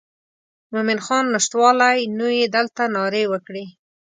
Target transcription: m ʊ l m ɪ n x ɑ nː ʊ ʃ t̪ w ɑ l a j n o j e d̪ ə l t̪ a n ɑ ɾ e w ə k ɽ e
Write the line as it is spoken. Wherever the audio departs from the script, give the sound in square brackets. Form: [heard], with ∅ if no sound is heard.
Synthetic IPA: m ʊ [∅] m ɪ n x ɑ nː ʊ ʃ t̪ w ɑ l a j n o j e d̪ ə l t̪ a n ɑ ɾ e w ə k ɽ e